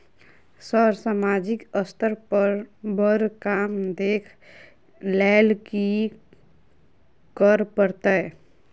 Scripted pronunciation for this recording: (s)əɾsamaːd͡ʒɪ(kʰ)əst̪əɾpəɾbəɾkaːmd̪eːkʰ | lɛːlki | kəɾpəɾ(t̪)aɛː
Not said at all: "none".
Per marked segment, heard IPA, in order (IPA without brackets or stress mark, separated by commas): s, k, t̪